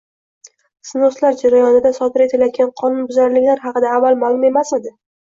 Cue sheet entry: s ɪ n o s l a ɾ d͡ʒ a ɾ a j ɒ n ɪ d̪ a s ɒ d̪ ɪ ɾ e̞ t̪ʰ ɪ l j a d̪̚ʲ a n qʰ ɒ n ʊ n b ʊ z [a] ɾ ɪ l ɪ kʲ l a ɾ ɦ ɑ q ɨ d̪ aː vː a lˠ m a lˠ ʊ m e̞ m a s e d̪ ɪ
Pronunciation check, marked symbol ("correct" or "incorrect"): correct